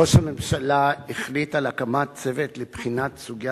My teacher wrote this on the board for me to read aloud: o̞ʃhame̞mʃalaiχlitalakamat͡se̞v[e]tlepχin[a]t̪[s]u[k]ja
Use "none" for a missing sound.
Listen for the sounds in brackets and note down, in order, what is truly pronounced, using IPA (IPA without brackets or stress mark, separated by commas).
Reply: e, a, s, ɡ